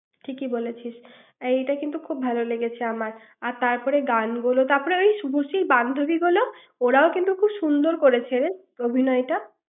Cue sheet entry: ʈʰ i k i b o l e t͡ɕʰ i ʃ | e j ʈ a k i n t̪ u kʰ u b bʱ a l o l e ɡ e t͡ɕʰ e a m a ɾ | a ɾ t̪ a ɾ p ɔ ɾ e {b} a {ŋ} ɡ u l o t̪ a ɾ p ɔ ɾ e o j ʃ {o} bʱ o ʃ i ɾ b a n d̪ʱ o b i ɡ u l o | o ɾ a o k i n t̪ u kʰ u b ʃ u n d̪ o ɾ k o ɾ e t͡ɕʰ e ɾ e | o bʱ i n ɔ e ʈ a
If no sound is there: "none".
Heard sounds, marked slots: ɡ, n, u

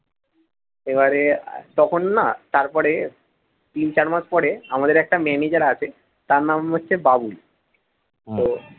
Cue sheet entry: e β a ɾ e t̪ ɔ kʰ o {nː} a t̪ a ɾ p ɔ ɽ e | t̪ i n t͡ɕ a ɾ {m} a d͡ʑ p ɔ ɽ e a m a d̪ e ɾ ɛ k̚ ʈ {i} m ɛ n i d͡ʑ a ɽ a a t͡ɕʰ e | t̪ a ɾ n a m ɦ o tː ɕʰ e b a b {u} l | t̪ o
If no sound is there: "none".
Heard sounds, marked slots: nː, m, a, u

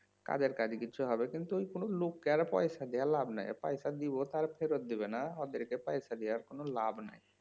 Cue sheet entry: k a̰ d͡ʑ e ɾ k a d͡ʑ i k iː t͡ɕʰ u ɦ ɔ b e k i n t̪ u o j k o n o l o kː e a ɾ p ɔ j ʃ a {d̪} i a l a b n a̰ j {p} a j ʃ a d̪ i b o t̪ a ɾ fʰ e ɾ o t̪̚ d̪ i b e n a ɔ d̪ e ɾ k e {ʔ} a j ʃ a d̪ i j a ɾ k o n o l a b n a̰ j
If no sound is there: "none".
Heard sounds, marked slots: d̪, p, p

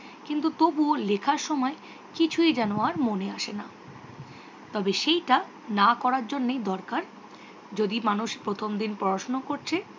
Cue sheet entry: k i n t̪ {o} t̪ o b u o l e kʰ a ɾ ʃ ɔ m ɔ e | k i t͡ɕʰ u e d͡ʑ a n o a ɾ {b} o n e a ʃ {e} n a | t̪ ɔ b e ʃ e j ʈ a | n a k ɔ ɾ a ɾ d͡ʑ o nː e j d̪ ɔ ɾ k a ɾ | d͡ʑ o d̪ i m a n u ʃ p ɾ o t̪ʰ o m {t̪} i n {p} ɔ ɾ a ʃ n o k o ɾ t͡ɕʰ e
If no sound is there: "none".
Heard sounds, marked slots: u, m, e, d̪, p

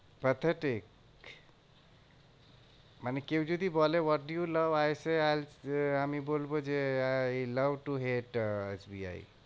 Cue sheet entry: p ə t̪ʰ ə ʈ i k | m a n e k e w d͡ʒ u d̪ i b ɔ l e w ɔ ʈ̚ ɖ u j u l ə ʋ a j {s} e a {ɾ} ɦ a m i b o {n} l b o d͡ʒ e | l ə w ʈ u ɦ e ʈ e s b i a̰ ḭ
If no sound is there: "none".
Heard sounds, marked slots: s, l, none

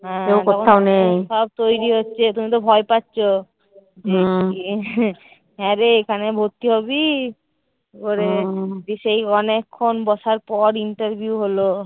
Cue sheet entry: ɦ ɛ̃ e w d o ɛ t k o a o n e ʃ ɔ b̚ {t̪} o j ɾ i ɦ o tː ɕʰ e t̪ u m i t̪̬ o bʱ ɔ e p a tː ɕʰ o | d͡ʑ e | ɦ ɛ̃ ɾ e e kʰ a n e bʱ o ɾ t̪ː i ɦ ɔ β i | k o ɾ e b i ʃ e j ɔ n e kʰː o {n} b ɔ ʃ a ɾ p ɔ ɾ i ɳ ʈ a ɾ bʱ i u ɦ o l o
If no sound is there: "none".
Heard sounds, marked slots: t̪, n

